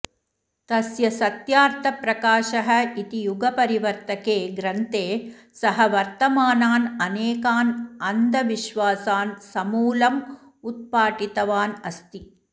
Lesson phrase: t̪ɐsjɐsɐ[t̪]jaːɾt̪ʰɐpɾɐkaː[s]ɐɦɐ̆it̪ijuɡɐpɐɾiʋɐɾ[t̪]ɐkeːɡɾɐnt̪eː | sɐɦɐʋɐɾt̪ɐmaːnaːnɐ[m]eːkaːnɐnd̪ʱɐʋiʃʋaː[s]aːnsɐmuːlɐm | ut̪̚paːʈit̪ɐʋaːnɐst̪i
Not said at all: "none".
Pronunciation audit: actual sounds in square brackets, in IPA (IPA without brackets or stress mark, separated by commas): t̪, ʃ, t̪, n, s